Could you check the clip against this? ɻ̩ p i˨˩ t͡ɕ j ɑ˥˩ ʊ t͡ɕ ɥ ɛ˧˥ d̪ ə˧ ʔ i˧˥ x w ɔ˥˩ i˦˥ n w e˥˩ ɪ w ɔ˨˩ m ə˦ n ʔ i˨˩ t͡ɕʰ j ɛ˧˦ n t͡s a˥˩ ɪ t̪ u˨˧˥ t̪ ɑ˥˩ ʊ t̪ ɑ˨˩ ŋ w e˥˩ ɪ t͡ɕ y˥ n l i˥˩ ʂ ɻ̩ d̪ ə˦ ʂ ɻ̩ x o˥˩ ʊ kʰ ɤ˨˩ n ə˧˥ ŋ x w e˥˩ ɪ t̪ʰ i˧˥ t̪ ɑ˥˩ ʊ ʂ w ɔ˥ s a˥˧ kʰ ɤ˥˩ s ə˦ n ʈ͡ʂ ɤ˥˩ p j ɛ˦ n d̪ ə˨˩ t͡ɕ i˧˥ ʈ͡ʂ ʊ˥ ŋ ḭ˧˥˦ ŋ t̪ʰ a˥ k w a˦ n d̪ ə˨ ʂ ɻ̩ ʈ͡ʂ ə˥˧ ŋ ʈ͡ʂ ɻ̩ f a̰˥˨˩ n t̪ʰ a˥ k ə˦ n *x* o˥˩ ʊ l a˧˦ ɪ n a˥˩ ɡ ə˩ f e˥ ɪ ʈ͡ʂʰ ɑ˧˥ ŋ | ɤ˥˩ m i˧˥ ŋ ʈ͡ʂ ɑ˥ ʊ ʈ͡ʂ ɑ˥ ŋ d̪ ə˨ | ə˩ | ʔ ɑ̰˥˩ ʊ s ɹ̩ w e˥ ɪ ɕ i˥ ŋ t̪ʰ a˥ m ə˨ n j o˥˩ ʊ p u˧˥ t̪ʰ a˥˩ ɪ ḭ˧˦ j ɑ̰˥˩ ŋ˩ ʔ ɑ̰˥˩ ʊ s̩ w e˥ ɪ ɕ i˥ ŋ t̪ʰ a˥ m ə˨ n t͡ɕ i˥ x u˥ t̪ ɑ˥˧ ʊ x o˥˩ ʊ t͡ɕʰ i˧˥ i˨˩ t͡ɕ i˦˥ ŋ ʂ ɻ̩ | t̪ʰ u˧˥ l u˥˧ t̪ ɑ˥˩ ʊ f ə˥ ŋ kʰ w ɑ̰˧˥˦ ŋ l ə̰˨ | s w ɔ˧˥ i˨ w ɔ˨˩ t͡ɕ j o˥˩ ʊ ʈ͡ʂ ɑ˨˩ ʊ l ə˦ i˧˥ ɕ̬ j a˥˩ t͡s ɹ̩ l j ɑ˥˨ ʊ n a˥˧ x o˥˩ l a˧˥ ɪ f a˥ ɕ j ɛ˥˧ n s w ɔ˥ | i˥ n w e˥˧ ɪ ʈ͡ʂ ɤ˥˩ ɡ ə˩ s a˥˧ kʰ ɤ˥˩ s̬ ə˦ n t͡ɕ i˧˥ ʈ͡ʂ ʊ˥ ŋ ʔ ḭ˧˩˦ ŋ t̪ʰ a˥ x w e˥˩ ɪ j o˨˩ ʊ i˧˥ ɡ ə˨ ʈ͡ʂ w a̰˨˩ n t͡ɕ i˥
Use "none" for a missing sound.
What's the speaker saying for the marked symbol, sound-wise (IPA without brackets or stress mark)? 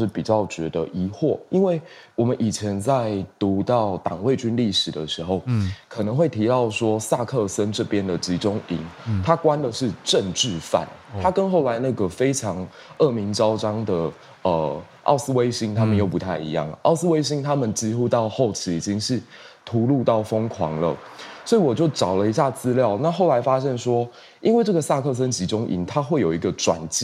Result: x